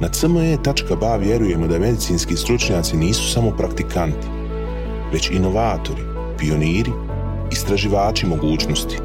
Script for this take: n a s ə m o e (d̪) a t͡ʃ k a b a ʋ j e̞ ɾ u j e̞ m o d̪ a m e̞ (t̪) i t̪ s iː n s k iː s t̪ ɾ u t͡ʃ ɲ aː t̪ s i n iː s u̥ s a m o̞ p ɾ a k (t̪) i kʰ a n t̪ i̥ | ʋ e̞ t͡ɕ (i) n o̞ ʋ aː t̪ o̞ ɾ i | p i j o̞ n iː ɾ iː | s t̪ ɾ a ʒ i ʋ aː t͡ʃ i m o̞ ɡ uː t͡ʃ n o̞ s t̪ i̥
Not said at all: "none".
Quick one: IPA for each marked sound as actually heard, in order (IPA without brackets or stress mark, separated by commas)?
t̪, d̪, t̪, i